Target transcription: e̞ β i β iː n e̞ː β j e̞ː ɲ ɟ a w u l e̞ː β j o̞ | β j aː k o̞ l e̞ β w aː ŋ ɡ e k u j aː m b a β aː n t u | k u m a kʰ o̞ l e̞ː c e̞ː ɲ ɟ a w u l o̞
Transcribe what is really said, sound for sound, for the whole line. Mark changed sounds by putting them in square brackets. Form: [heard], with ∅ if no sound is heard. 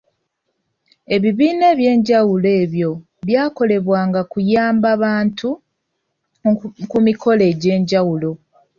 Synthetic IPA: e̞ β i β iː n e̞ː β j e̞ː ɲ ɟ a w u l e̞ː β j o̞ | β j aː k o̞ l e̞ β w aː ŋ ɡ [a] k u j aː m b a β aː n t u | k u m [i] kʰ o̞ l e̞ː [ɟ] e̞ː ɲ ɟ a w u l o̞